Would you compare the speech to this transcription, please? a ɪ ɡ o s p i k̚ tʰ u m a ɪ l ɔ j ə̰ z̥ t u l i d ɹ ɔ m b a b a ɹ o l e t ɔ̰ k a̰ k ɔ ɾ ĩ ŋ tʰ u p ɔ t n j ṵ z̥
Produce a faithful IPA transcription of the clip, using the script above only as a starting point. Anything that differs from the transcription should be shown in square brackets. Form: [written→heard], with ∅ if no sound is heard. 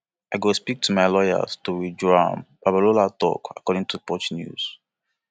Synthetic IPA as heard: a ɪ ɡ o s p i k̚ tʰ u m a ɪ l ɔ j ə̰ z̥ t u [l→ɹ] i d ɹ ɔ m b a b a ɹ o l [e→a] t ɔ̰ k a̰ k ɔ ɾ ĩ ŋ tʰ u p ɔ [t→t͡ʃ] n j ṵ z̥